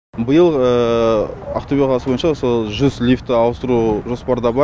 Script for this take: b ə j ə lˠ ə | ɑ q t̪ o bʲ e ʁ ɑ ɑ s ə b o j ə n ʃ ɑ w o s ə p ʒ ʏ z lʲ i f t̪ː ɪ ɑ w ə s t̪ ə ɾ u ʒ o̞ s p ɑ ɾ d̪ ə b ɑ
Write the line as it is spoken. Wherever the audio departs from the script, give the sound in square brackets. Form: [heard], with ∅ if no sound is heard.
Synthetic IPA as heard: b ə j ə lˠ ə | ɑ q t̪ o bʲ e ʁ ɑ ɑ s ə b o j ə n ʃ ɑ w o s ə [∅] ʒ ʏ z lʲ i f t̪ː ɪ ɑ w ə s t̪ ə ɾ u ʒ o̞ s p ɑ ɾ d̪ [ɑ] b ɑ